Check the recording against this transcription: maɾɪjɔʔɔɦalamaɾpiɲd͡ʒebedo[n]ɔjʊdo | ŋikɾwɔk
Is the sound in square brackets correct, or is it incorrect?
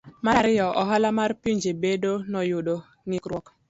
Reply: correct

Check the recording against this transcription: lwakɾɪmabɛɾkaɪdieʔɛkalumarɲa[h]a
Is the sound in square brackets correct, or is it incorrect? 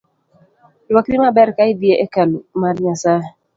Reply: incorrect: s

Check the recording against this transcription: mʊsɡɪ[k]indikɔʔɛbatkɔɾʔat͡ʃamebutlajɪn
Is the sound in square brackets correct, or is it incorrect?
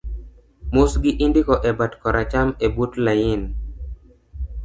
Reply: incorrect: ʔ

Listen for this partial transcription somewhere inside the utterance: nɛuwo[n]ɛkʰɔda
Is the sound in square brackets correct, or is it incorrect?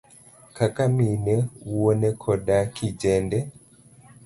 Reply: correct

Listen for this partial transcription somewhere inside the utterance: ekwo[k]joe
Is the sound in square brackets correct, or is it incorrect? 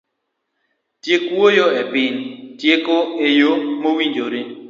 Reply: incorrect: none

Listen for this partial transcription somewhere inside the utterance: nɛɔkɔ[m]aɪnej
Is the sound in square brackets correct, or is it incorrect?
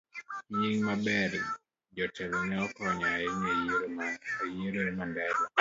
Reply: incorrect: ɲ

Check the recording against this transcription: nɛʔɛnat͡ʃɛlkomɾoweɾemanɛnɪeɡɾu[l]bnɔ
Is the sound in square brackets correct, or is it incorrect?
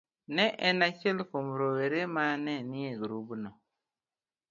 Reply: incorrect: none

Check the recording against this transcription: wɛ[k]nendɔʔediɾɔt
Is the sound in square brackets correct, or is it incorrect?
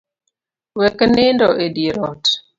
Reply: correct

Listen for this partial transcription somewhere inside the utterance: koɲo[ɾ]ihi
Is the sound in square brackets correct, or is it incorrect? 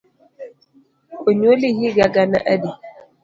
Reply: incorrect: l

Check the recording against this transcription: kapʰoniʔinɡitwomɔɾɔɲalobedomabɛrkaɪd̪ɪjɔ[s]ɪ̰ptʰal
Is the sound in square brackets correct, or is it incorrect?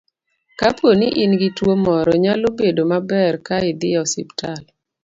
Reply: correct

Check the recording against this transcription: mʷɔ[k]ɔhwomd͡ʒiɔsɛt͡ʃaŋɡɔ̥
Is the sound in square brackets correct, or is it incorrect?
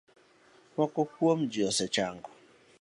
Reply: correct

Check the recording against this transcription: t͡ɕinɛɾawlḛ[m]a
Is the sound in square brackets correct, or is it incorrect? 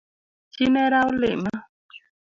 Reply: correct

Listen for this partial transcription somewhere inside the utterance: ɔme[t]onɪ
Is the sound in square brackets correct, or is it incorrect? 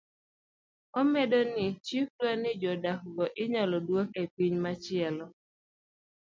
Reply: incorrect: d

